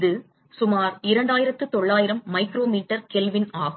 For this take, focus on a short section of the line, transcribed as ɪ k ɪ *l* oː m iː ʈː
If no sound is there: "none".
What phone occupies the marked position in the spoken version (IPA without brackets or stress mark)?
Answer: ɾ